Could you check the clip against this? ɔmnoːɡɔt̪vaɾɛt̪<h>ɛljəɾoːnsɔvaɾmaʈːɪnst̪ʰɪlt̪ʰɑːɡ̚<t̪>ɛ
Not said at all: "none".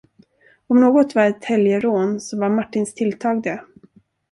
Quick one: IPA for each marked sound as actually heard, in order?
h, d̪

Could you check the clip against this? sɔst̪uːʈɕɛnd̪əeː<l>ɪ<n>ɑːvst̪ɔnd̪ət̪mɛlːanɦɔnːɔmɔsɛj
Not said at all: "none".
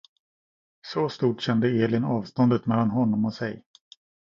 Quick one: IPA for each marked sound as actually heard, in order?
l, n

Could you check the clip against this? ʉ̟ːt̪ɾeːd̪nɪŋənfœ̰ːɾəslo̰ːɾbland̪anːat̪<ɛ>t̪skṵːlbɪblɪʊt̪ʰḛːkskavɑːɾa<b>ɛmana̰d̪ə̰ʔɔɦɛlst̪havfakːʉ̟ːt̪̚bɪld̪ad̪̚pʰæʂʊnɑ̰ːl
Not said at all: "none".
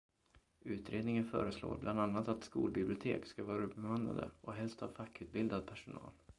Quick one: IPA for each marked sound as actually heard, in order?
a, b

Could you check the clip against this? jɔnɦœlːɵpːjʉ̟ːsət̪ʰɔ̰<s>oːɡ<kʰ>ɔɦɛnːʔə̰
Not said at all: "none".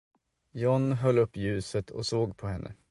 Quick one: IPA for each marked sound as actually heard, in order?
s, pʰ

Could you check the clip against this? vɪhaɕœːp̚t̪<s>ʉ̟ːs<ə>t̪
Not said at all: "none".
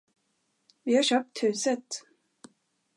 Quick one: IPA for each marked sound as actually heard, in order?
h, ə

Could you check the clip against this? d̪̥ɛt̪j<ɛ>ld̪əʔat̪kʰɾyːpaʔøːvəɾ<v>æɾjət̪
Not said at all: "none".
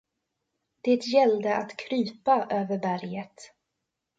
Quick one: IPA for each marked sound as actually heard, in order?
ɛ, b

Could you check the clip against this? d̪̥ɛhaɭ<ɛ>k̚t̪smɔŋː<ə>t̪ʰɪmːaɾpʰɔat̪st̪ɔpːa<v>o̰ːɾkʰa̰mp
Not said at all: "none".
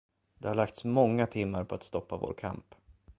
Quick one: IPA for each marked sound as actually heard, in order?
a, a, v

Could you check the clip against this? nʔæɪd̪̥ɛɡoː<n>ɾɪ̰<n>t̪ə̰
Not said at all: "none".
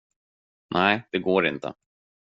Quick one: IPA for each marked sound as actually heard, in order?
none, n

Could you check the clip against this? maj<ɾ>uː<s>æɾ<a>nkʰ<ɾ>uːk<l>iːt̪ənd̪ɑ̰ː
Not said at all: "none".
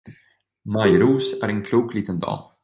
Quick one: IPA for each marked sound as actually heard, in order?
ɾ, s, ɛ, l, l

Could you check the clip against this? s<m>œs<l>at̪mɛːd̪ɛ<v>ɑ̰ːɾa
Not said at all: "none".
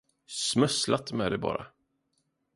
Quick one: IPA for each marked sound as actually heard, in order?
m, l, b

